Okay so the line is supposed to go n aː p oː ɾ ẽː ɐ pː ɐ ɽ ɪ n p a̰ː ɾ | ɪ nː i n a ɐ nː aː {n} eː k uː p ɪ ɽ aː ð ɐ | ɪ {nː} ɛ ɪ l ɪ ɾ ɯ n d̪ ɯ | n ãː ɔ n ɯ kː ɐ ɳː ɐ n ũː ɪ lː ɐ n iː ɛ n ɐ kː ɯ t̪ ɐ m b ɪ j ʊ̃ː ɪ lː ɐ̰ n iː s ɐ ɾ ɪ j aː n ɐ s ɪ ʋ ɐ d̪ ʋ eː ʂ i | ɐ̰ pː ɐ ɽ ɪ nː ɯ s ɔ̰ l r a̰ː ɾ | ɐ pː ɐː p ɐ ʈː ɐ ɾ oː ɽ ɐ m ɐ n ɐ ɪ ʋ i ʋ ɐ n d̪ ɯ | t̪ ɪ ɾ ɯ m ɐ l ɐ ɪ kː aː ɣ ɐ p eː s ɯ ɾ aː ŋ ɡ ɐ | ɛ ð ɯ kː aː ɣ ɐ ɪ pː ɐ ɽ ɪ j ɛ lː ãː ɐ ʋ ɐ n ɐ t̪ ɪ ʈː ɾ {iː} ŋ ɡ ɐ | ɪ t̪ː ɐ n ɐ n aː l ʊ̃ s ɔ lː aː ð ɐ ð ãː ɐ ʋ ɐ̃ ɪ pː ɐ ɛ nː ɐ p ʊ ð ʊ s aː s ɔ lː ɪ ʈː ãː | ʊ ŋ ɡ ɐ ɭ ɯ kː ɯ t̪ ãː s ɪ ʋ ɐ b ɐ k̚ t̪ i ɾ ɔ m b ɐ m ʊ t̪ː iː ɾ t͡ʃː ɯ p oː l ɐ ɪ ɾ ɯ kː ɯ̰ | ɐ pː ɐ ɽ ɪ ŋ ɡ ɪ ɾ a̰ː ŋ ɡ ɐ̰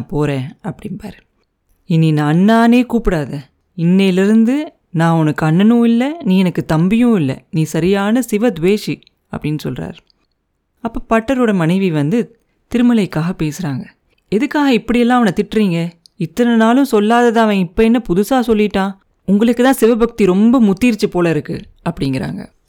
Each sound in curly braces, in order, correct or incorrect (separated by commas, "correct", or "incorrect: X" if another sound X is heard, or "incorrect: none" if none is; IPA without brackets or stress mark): correct, correct, correct